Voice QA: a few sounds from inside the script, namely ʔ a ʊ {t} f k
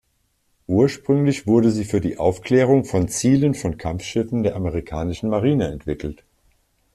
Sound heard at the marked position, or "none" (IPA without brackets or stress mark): none